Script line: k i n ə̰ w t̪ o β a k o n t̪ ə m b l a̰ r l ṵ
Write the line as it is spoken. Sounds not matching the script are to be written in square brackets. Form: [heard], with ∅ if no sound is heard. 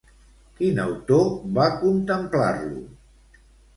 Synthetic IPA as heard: k i n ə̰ w t̪ o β a k [u] n t̪ ə m [p] l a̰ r l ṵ